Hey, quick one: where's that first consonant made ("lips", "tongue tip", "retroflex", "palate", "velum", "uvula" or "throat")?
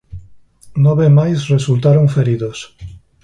tongue tip